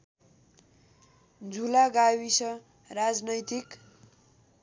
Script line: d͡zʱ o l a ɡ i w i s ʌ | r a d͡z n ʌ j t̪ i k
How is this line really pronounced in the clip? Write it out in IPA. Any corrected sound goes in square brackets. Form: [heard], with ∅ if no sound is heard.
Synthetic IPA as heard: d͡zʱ [u] l a ɡ [a] w i s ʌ | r a d͡z n ʌ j t̪ i k